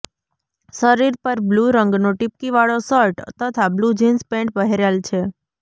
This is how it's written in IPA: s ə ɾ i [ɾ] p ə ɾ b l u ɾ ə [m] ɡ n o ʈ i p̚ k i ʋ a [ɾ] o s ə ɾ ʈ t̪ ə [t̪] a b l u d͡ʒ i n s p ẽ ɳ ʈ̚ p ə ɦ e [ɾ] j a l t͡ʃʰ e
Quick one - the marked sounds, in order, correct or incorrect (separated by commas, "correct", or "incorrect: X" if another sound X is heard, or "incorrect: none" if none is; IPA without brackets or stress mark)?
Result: correct, incorrect: ŋ, incorrect: ɭ, incorrect: t̪ʰ, correct